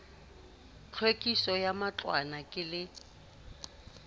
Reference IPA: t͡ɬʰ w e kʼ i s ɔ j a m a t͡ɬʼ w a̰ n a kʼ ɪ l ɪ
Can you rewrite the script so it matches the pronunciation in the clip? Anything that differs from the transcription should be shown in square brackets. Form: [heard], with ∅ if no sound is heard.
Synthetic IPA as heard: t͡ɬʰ w e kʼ i s ɔ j a m a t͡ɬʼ w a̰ n a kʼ ɪ l ɪ